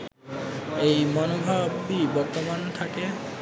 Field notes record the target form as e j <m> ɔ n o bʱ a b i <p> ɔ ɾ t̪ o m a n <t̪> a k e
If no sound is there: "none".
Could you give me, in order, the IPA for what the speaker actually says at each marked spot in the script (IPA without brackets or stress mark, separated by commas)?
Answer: m, b, t̪ʰ